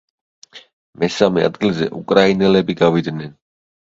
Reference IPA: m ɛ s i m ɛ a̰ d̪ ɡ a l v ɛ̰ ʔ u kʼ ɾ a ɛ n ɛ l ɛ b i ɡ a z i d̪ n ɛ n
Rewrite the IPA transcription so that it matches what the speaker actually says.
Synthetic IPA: m ɛ s a m ɛ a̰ d̪ ɡ i l z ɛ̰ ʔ u kʼ ɾ a i n ɛ l ɛ b i ɡ a v i d̪ n ɛ n

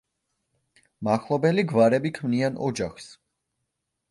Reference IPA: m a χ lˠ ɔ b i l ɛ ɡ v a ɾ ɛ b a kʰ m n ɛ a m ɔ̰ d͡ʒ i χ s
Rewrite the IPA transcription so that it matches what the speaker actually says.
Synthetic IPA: m a χ lˠ ɔ b ɛ l i ɡ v a ɾ ɛ b i kʰ m n i a n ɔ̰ d͡ʒ a χ s

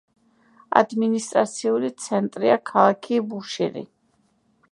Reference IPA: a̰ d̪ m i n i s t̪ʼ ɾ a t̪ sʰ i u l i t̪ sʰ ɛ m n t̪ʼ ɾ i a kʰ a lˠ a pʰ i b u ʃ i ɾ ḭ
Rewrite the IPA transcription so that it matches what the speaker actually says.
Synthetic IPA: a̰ d̪ m i n i s t̪ʼ ɾ a t̪ sʰ i u l i t̪ sʰ ɛ n t̪ʼ ɾ i a kʰ a lˠ a kʰ i b u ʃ i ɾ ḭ

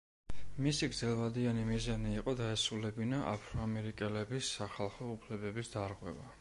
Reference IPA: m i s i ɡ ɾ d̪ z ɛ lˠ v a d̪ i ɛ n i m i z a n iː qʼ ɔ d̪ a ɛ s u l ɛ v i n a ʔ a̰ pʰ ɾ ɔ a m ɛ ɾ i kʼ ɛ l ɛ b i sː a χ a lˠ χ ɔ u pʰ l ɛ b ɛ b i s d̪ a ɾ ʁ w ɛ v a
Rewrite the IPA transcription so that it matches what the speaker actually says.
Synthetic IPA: m i s i ɡ ɾ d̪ z ɛ lˠ v a d̪ i a n i m i z a n iː qʼ ɔ d̪ a ɛ s u l ɛ b i n a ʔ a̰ pʰ ɾ ɔ a m ɛ ɾ i kʼ ɛ l ɛ b i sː a χ a lˠ χ ɔ u pʰ l ɛ b ɛ b i s d̪ a ɾ ʁ w ɛ v a

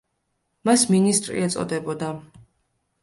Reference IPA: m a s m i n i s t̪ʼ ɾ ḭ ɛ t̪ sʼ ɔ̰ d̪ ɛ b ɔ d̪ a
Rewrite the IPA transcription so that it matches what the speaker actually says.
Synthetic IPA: m a s m i n i s t̪ʼ ɾ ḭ ɛ t̪ sʼ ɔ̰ d̪ ɛ b ɔ d̪ a

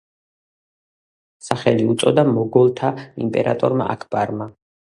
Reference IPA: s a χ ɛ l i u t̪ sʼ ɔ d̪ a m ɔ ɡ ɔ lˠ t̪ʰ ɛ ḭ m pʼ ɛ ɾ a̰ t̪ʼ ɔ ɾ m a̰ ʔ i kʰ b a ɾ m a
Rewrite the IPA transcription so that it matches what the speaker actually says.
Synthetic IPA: s a χ ɛ l i u t̪ sʼ ɔ d̪ a m ɔ ɡ ɔ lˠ t̪ʰ a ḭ m pʼ ɛ ɾ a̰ t̪ʼ ɔ ɾ m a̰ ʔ a kʰ b a ɾ m a

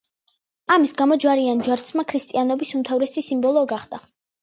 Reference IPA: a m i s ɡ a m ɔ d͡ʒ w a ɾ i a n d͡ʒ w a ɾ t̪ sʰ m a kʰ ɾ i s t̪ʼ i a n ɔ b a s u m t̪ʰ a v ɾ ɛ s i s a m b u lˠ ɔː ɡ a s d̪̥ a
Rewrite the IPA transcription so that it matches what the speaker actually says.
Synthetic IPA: a m i s ɡ a m ɔ d͡ʒ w a ɾ i a n d͡ʒ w a ɾ t̪ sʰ m a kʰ ɾ i s t̪ʼ i a n ɔ b i s u m t̪ʰ a v ɾ ɛ s i s i m b ɔ lˠ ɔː ɡ a χ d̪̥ a

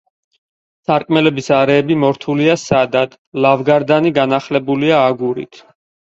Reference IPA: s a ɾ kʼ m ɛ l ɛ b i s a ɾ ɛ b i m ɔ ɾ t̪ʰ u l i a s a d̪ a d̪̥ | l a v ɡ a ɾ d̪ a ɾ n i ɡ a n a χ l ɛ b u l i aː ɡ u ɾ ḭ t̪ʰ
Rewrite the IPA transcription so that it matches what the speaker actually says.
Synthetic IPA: s a ɾ kʼ m ɛ l ɛ b i s a ɾ ɛː b i m ɔ ɾ t̪ʰ u l i a s a d̪ a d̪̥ | l a v ɡ a ɾ d̪ a n i ɡ a n a χ l ɛ b u l i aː ɡ u ɾ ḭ t̪ʰ

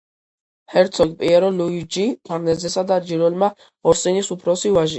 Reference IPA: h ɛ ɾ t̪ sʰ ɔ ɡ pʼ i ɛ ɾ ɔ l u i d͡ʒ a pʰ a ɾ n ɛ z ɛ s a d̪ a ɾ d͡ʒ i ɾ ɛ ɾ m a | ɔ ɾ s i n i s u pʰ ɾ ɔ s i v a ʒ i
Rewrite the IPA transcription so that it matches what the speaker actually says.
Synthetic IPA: h ɛ ɾ t̪ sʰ ɔ ɡ pʼ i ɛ ɾ ɔ l u i d͡ʒ i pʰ a ɾ n ɛ z ɛ s a d̪ a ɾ d͡ʒ i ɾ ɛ l m a | ɔ ɾ s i n i s u pʰ ɾ ɔ s i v a ʒ i

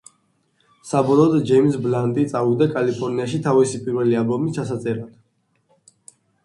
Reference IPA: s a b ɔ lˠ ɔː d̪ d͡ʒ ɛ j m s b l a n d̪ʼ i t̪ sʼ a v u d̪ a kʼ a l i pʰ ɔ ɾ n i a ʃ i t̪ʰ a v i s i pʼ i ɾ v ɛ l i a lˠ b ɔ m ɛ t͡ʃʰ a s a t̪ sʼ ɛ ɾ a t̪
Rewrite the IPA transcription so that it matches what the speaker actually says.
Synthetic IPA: s a b ɔ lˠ ɔː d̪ d͡ʒ ɛ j m s b l a n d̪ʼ i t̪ sʼ a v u d̪ a kʼ a l i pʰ ɔ ɾ n i a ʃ i t̪ʰ a v i s i pʼ i ɾ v ɛ l i a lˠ b ɔ m i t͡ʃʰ a s a t̪ sʼ ɛ ɾ a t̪

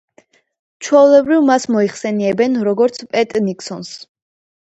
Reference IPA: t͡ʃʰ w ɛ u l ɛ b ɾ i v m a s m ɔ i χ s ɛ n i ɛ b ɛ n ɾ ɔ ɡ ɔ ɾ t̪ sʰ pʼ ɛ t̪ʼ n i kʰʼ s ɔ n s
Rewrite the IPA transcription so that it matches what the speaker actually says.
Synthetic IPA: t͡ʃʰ w ɛ u l ɛ b ɾ i v m a s m ɔ i χ s ɛ n i ɛ b ɛ n ɾ ɔ ɡ ɔ ɾ t̪ sʰ pʼ ɛ t̪ʼ n i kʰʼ s ɔ n s

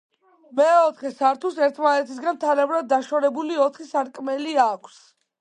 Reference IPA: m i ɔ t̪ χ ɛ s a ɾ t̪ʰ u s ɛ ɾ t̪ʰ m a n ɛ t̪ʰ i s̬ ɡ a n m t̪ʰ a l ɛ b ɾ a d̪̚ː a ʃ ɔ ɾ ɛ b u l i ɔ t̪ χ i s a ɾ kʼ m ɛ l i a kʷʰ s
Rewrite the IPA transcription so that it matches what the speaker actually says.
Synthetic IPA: m ɛ ɔ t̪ χ ɛ s a ɾ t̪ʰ u s ɛ ɾ t̪ʰ m a n ɛ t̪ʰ i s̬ ɡ a n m t̪ʰ a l ɛ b ɾ a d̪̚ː a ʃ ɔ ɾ ɛ b u l i ɔ t̪ χ i s a ɾ kʼ m ɛ l i a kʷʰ s

